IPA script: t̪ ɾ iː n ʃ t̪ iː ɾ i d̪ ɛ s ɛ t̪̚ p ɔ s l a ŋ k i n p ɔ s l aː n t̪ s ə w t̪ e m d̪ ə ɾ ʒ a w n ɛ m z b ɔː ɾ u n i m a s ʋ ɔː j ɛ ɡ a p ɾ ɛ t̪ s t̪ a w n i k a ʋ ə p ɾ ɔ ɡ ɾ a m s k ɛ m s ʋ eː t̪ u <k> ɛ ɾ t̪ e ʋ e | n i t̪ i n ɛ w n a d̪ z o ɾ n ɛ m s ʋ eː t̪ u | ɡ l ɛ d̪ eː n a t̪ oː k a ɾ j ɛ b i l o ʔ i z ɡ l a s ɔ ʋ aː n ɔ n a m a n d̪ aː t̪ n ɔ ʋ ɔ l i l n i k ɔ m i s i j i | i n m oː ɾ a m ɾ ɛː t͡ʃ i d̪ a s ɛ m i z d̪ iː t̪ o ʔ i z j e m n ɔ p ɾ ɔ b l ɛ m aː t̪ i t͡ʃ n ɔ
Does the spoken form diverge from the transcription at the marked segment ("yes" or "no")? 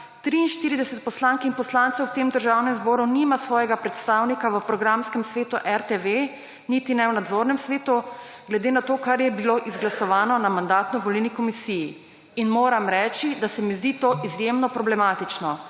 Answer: yes